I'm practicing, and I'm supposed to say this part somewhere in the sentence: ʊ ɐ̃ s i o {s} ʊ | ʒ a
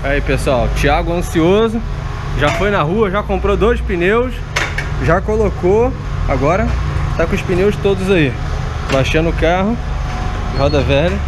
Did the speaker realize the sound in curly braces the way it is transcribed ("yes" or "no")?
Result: no